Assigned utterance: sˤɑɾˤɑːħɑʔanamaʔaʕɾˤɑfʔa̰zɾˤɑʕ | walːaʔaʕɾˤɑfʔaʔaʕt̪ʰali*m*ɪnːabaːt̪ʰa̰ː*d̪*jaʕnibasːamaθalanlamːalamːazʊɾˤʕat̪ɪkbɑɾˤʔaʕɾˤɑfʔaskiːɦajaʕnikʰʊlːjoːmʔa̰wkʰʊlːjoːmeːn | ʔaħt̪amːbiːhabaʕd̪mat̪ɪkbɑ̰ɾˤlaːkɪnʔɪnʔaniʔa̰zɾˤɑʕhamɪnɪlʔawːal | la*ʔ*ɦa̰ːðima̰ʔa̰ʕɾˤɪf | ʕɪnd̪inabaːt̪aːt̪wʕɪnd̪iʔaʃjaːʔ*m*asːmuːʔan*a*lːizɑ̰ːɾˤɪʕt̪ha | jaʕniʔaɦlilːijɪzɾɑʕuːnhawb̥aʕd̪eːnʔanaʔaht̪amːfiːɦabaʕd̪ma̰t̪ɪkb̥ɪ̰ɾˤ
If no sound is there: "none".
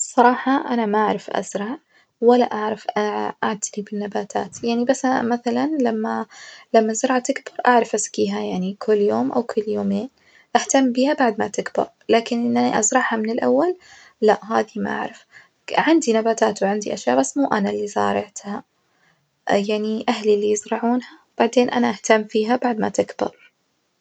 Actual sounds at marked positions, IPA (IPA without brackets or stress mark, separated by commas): b, t̪, ʔ, b, a